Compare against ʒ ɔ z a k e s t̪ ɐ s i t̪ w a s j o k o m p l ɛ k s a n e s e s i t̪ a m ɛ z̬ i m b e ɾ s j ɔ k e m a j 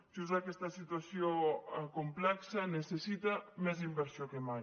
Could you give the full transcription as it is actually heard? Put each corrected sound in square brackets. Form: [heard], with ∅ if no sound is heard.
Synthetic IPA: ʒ [u] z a k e s t̪ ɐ s i t̪ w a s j o k o m p l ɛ k s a n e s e s i t̪ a m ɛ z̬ i m b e ɾ s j [o] k e m a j